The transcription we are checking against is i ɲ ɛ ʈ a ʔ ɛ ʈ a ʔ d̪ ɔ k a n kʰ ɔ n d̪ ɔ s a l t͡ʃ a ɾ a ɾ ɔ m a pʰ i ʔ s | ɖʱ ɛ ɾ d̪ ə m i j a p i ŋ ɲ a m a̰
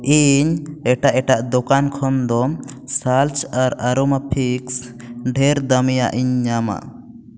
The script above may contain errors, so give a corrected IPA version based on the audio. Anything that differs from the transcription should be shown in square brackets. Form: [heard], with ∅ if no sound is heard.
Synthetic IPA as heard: i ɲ ɛ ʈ a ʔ ɛ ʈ a ʔ d̪ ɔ k a n kʰ ɔ n d̪ ɔ s a l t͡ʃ a ɾ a ɾ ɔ m a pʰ i [k] s | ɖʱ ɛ ɾ d̪ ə m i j a [ʔ] i [ɲ] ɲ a m a̰